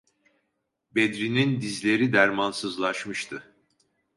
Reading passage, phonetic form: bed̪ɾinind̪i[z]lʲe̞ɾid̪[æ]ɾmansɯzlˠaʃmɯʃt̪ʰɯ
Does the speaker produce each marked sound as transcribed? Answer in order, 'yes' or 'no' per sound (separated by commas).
yes, yes